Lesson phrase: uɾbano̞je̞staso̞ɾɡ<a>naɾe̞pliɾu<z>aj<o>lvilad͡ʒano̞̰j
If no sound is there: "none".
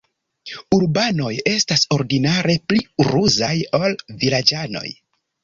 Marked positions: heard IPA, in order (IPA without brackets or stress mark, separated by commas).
i, z, o